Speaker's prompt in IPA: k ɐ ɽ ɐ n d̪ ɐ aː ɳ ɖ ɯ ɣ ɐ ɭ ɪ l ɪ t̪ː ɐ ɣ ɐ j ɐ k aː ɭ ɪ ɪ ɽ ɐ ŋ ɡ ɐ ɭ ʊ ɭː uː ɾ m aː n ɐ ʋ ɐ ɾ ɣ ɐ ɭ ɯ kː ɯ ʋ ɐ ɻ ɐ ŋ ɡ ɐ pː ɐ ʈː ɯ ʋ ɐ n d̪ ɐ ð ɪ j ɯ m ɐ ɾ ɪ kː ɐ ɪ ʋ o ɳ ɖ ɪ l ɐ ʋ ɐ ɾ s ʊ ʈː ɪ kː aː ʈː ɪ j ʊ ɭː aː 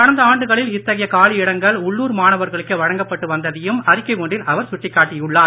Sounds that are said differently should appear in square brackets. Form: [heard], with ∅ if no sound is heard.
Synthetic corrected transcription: k ɐ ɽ ɐ n d̪ ɐ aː ɳ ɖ ɯ ɣ ɐ ɭ ɪ l ɪ t̪ː ɐ ɣ ɐ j ɐ k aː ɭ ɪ ɪ ɽ ɐ ŋ ɡ ɐ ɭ ʊ ɭː uː ɾ m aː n ɐ ʋ ɐ ɾ ɣ ɐ ɭ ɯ kː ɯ ʋ ɐ ɻ ɐ ŋ ɡ ɐ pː ɐ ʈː ɯ ʋ ɐ n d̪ ɐ ð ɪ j ɯ m ɐ ɾ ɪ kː ɐ ɪ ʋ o ɳ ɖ ɪ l ɐ ʋ ɐ ɾ s ʊ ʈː ɪ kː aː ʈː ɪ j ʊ ɭː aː